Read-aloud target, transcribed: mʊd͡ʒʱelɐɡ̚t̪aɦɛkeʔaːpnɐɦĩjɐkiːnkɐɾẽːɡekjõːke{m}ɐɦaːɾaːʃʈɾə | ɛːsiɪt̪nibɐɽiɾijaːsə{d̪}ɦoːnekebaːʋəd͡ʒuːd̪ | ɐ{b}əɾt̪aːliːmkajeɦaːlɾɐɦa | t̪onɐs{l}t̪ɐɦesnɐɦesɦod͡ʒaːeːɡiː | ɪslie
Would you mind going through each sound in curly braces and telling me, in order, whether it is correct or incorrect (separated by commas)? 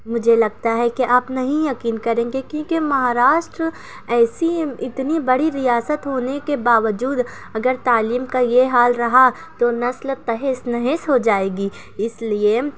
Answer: correct, incorrect, incorrect, correct